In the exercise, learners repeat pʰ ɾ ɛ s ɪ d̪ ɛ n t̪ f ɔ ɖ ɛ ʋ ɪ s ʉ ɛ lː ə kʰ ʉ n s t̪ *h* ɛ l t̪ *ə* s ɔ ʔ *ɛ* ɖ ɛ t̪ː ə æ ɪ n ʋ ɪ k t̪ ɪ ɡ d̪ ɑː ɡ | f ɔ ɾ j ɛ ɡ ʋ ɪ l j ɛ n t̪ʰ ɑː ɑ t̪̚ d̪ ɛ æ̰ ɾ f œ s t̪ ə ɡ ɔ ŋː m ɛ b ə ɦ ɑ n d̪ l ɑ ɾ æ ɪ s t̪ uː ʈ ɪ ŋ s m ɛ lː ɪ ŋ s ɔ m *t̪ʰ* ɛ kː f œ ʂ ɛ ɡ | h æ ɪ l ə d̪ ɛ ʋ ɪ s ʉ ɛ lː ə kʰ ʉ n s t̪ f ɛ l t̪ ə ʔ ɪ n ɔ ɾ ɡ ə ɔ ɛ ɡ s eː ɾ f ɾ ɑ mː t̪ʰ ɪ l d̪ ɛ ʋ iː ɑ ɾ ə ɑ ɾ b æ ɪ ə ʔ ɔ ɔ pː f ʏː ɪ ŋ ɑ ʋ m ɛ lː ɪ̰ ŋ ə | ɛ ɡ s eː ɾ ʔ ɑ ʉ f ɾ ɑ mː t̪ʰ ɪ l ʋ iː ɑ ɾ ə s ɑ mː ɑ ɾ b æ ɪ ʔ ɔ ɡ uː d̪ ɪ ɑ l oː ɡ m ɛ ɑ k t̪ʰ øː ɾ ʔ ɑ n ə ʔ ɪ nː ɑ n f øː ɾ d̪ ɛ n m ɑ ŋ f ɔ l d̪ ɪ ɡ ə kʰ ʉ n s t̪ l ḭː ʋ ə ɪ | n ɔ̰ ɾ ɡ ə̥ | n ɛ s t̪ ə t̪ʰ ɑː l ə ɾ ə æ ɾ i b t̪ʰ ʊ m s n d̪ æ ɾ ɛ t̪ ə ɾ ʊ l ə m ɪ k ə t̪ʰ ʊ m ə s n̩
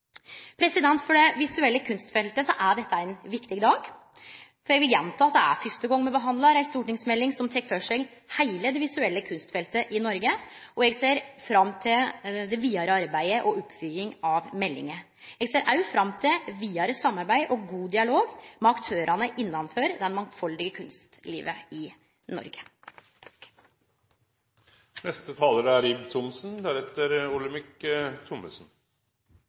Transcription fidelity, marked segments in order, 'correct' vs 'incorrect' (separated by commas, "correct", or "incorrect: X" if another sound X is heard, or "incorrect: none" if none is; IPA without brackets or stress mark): incorrect: f, correct, incorrect: æ, correct